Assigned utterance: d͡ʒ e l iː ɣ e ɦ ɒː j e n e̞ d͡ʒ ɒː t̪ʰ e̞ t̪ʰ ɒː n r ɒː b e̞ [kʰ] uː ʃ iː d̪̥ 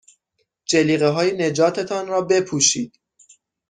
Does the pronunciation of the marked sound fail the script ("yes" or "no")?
yes